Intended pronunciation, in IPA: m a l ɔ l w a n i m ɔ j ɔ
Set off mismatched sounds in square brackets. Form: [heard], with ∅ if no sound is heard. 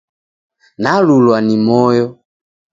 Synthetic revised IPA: [n] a l [u] l w a n i m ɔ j ɔ